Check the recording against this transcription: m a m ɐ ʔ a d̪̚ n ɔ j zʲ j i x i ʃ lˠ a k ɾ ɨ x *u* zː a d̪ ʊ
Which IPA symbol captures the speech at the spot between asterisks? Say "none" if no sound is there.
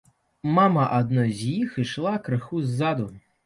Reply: u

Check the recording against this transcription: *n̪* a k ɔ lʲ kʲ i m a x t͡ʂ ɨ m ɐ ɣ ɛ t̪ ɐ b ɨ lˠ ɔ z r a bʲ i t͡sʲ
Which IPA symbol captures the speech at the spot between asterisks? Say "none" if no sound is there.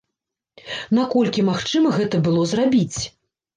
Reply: n̪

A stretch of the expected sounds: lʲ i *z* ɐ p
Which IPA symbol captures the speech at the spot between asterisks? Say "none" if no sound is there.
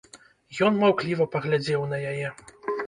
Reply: v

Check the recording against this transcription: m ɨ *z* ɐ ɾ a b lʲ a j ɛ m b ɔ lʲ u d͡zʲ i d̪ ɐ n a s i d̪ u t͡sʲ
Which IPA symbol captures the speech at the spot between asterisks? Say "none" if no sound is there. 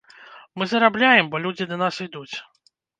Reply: z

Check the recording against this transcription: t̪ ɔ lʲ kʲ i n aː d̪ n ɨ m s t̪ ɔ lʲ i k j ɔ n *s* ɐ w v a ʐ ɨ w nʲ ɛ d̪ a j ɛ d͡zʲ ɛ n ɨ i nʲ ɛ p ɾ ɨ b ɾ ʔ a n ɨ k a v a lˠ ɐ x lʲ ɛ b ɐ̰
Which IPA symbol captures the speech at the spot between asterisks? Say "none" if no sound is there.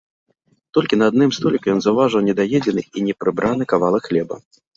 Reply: z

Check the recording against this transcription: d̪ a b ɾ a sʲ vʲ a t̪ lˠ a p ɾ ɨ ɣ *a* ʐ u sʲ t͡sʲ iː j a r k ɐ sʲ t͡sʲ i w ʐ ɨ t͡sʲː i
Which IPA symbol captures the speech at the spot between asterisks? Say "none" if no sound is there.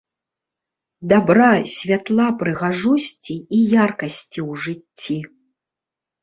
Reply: a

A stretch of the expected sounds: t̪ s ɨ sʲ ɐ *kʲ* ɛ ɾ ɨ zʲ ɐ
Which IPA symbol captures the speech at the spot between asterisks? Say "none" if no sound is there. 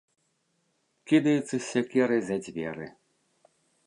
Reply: kʲ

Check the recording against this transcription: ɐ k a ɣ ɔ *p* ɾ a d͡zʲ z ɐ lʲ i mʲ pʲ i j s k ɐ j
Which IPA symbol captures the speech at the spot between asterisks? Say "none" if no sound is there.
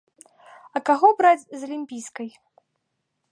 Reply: b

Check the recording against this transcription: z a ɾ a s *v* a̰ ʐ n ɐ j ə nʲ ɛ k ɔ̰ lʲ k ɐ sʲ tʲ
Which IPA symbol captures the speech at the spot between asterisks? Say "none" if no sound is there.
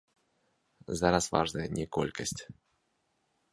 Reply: v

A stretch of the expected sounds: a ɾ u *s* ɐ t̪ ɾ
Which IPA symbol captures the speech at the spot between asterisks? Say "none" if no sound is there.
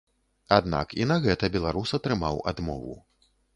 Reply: s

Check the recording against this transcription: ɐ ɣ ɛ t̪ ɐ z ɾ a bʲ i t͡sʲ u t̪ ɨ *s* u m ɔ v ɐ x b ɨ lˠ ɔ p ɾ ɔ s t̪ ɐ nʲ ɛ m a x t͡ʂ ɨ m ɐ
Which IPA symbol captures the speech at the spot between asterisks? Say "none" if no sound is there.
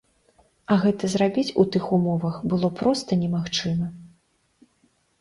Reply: x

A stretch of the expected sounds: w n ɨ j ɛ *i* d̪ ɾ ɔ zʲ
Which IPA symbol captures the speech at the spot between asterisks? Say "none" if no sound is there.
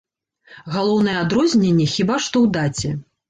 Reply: a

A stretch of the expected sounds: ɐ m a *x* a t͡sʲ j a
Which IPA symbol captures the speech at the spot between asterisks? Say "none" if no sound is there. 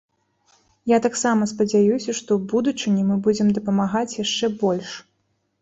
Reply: ɣ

